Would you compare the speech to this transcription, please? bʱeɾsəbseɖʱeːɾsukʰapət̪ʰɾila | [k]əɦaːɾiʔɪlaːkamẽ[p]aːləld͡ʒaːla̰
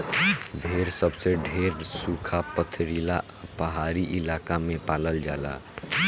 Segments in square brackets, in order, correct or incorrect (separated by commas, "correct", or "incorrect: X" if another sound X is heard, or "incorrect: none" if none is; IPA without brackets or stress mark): incorrect: p, correct